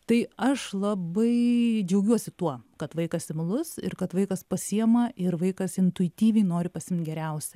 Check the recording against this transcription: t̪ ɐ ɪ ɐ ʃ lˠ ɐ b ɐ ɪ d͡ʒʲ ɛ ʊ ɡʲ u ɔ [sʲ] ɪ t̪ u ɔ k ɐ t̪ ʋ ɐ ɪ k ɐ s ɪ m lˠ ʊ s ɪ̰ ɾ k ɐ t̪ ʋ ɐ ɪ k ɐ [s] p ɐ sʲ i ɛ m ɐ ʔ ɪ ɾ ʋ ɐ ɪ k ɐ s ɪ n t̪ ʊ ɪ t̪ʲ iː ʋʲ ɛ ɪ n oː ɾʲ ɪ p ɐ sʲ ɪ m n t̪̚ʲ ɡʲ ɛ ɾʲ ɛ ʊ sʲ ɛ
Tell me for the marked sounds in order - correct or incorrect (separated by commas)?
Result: correct, correct